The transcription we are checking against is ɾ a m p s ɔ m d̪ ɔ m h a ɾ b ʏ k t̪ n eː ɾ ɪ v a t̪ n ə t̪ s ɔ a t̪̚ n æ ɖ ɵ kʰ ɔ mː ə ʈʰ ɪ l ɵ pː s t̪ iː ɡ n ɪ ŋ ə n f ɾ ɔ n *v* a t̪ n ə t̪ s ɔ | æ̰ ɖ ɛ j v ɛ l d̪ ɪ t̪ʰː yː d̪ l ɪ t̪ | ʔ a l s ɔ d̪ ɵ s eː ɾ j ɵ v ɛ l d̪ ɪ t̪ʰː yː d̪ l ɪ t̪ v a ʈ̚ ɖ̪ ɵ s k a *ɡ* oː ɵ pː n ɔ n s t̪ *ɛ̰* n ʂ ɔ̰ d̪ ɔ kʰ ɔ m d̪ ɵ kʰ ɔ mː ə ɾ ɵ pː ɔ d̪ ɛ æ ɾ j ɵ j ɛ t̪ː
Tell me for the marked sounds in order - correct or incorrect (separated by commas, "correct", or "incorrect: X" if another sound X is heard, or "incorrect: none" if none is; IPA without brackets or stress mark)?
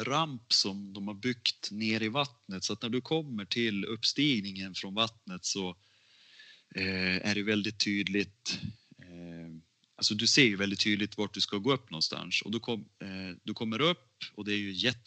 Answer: correct, correct, incorrect: a̰